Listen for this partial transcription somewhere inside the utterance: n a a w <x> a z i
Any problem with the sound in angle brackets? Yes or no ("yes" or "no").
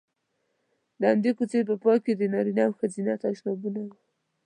no